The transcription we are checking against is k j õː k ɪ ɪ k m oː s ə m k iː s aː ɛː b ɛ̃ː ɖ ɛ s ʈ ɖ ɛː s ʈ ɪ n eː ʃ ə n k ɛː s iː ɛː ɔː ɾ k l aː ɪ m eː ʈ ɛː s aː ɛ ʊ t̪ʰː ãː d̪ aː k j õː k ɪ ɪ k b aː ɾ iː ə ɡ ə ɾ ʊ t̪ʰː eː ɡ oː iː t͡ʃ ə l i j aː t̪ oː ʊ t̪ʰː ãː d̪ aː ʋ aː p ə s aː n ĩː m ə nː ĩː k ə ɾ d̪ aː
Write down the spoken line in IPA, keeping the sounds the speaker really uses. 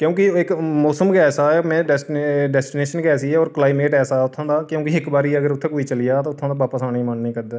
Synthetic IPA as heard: k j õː k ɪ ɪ k m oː s ə m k ɛː s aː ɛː m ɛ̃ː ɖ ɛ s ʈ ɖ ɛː s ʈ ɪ n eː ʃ ə n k ɛː s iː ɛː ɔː ɾ k l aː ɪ m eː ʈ ɛː s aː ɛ ʊ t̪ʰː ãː d̪ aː k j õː k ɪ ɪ k b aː ɾ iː ə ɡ ə ɾ ʊ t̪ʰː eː k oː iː t͡ʃ ə l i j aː t̪ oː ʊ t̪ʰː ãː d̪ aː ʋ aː p ə s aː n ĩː m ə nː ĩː k ə ɾ d̪ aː